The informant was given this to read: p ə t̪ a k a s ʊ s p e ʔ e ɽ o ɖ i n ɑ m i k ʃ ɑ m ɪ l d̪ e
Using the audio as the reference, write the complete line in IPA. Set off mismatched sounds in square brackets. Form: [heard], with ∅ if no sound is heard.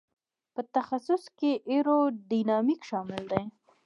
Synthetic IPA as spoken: p ə t̪ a [x] a s ʊ s [k] e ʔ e [ɾ] o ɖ i n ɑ m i k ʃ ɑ m ɪ l d̪ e